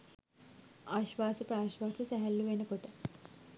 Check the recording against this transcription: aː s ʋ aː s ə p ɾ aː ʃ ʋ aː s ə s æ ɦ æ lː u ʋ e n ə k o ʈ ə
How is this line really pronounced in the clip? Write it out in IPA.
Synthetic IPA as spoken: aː ʃ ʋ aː s ə p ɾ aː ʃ ʋ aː s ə s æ ɦ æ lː u ʋ e n ə k o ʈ ə

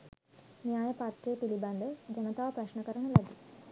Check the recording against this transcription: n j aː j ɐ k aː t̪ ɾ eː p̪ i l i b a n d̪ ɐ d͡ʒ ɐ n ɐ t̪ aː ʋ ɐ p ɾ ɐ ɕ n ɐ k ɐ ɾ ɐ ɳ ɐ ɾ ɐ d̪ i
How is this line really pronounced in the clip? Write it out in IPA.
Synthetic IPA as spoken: n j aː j ɐ p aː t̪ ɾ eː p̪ i l i b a n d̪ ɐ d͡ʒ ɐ n ɐ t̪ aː ʋ ɐ p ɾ ɐ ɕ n ɐ k ɐ ɾ ɐ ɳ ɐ l ɐ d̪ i

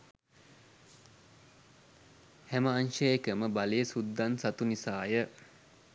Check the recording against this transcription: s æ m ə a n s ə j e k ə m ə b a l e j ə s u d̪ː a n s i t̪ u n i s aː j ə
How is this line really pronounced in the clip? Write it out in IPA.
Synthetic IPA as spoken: h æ m ə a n ʃ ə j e k ə m ə b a l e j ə s u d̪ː a n s a t̪ u n i s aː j ə

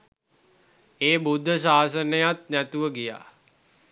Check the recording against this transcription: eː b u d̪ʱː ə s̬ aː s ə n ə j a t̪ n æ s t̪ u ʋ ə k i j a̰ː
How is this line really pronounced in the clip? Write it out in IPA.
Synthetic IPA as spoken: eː b u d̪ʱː ə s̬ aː s ə n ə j a t̪ n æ t̪ u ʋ ə ɡ i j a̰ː

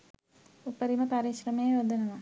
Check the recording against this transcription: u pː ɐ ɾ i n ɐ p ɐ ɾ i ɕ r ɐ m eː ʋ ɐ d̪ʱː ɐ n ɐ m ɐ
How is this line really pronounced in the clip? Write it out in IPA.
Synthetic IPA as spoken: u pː ɐ ɾ i m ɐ p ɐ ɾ i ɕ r ɐ m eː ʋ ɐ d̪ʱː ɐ n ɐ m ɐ

